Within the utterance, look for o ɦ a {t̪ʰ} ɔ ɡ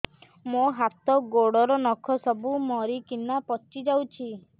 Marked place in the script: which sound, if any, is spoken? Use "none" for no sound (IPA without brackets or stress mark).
t̪